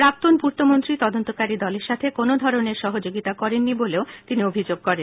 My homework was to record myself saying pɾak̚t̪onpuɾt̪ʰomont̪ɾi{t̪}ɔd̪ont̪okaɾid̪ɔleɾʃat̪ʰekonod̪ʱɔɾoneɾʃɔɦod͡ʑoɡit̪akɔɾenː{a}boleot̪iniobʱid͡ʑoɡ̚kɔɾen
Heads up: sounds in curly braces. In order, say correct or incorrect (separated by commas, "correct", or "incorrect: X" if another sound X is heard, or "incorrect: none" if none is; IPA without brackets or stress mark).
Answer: correct, incorrect: i